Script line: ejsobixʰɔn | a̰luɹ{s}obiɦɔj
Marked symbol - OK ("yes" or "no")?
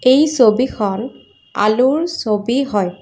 yes